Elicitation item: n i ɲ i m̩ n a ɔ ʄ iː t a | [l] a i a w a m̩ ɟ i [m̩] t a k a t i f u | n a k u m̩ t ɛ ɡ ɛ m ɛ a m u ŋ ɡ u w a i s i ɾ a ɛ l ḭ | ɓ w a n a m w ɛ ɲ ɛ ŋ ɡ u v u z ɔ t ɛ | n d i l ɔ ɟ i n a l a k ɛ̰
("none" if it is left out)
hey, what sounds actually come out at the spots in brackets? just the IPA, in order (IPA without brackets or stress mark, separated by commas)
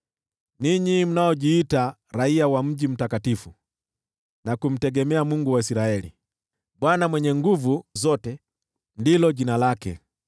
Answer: ɾ, m̩